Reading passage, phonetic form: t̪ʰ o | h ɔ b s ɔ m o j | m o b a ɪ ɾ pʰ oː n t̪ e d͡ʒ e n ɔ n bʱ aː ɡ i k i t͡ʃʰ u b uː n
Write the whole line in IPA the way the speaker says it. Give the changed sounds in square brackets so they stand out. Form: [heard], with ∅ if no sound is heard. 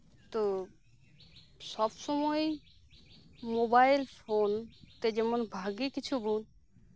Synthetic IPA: [t̪] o | [s] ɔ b s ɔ m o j | m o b a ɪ [l] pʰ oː n t̪ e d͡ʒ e [m] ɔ n bʱ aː ɡ i k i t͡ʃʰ u b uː n